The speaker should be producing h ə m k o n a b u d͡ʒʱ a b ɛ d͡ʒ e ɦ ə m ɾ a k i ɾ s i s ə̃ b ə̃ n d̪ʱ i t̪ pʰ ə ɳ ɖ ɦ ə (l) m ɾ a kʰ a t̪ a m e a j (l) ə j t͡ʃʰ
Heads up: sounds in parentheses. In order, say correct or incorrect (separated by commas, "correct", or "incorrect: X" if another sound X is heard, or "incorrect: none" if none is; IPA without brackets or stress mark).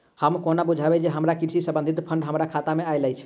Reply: incorrect: none, correct